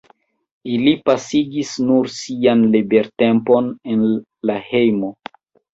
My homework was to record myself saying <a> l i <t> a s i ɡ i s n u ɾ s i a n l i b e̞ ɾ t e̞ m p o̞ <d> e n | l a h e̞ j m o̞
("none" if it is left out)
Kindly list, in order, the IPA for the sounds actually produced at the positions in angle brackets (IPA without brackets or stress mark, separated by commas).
i, p, n